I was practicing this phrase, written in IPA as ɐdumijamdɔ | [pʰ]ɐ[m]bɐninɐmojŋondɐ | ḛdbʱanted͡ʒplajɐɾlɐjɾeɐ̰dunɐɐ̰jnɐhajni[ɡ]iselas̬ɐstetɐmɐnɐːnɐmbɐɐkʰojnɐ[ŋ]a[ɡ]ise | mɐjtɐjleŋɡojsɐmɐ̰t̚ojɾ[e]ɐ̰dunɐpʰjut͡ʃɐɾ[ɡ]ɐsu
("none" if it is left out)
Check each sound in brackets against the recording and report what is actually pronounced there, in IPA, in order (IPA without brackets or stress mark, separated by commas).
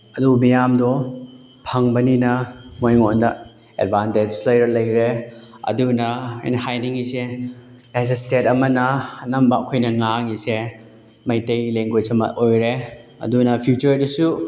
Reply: pʰ, ŋ, ŋ, ŋ, ŋ, e, d